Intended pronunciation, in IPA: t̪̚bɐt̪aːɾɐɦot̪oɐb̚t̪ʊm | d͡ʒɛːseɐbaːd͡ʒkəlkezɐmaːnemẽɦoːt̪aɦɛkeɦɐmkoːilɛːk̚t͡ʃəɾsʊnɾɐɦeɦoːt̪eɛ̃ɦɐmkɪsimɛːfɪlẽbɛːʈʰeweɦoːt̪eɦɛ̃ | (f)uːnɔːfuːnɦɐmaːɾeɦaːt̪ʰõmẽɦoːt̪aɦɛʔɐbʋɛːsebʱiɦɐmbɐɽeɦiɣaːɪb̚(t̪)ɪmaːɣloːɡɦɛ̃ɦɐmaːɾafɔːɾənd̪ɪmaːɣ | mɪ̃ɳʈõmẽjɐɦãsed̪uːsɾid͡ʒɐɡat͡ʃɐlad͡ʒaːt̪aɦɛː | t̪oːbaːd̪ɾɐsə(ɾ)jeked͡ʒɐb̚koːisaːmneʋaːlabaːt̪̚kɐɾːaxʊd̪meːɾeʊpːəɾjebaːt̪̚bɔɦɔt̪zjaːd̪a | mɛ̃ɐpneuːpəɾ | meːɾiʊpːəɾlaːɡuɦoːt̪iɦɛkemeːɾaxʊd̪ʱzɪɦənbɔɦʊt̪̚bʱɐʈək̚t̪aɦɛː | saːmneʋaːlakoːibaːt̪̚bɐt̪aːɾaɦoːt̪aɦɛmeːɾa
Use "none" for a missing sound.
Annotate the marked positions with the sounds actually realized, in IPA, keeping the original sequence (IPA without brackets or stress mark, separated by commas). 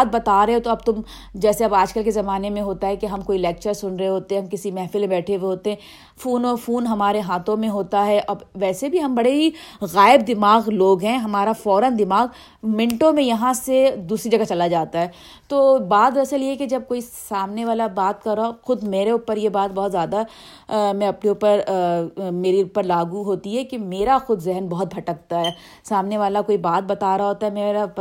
f, d̪, l